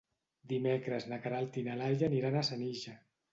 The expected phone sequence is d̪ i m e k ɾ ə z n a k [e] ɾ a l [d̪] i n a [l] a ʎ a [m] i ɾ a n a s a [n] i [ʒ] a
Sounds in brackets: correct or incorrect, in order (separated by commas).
incorrect, incorrect, correct, incorrect, correct, correct